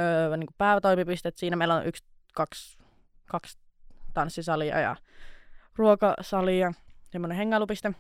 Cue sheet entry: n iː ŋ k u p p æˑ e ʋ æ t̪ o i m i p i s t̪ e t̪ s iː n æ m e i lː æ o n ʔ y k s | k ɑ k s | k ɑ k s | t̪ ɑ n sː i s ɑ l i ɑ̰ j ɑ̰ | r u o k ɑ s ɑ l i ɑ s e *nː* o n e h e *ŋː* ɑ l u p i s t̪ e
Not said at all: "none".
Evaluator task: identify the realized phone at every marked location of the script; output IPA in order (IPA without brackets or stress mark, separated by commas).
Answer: mː, ŋː